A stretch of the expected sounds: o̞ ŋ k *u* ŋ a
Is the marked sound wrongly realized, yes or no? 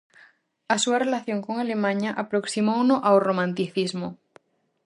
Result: yes